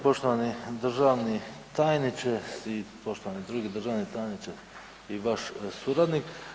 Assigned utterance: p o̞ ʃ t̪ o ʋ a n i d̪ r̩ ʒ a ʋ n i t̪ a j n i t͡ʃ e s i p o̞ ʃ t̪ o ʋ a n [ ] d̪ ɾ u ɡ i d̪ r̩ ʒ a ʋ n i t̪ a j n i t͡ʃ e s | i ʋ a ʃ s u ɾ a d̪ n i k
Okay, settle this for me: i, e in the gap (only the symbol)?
i